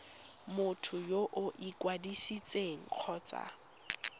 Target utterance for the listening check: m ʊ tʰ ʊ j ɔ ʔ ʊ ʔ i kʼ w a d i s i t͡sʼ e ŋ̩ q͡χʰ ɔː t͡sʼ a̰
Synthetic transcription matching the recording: m ʊ tʰ ʊ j o ʔ ʊ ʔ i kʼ w a d i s i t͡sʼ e ŋ̩ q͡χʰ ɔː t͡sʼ a̰